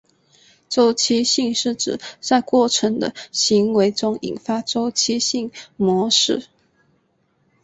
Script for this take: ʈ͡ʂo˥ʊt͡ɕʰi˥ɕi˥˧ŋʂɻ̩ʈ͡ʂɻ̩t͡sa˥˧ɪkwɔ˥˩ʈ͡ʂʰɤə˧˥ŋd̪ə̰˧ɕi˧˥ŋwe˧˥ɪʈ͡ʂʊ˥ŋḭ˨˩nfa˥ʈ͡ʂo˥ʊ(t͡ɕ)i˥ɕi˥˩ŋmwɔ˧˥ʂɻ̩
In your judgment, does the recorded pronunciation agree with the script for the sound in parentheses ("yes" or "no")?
no